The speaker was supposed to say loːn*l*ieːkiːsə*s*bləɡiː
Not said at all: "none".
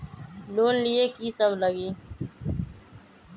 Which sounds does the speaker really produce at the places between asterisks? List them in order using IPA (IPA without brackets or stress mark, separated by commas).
l, none